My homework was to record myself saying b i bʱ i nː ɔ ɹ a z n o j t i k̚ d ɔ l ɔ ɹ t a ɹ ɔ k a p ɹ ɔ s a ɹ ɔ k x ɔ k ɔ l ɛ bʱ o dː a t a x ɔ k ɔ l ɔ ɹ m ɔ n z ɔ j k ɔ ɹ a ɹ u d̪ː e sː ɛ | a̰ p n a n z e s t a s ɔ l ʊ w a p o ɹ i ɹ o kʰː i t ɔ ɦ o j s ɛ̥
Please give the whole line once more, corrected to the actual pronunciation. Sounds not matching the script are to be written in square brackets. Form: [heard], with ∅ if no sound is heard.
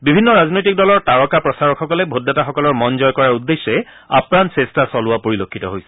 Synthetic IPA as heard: b i bʱ i nː ɔ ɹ a z n o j t i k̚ d ɔ l ɔ ɹ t a ɹ ɔ k a p ɹ ɔ s a ɹ ɔ k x ɔ k ɔ l ɛ bʱ o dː a t a x ɔ k ɔ l ɔ ɹ m ɔ n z ɔ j k ɔ ɹ a ɹ u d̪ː e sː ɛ | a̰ p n a n [s] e s t a s ɔ l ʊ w a p o ɹ i [l] o kʰː i t ɔ ɦ o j s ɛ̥